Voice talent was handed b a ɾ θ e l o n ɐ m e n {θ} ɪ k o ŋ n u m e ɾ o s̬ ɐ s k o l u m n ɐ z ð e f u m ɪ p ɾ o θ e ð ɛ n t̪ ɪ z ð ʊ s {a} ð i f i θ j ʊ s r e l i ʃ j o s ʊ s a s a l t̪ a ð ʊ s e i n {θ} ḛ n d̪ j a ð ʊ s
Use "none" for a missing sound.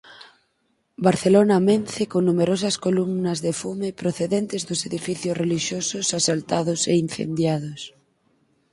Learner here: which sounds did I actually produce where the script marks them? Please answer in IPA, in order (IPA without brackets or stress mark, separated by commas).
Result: θ, e, θ